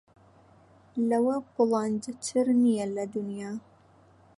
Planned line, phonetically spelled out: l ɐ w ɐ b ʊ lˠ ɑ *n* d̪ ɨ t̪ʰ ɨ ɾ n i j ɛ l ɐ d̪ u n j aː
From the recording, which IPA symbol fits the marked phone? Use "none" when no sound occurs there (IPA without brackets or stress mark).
n